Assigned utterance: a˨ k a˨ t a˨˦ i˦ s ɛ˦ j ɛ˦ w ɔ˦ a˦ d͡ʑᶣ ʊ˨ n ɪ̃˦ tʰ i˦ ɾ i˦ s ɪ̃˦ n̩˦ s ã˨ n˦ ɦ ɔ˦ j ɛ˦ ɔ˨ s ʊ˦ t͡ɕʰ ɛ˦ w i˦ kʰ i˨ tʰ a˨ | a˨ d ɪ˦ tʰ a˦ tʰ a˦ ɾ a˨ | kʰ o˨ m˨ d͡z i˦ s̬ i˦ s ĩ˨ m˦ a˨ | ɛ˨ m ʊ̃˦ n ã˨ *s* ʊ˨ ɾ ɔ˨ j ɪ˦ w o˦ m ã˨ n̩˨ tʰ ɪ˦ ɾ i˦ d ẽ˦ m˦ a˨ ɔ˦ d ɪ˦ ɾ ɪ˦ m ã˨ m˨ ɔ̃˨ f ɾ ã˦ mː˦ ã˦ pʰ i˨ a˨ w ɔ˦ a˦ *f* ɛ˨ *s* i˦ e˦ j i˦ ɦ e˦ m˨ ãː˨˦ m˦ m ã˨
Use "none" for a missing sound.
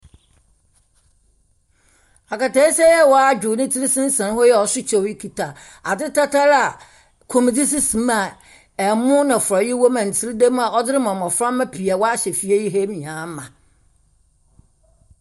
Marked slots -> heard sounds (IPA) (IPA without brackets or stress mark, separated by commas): f, ɕ, f